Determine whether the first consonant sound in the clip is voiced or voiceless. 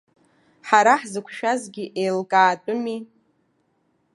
voiceless